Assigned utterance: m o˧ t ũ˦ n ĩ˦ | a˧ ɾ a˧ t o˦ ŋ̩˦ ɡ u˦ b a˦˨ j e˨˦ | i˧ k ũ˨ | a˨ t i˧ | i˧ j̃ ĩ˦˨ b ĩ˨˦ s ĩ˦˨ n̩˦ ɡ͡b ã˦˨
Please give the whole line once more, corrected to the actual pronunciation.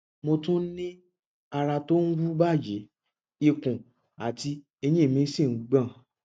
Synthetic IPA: m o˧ t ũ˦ n ĩ˦ | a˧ ɾ a˧ t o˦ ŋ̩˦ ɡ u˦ b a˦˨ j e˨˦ | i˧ k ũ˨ | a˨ t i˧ | e˧ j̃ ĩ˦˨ m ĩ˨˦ s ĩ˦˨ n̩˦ ɡ͡b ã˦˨